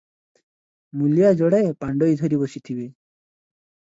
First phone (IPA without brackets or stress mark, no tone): m